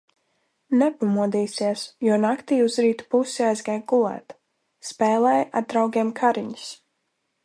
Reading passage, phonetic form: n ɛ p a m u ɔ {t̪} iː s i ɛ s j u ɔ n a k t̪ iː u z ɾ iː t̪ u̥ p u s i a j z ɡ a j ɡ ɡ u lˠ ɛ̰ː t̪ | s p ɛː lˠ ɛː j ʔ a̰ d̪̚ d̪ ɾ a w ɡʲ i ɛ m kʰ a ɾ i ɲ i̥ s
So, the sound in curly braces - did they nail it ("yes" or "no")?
no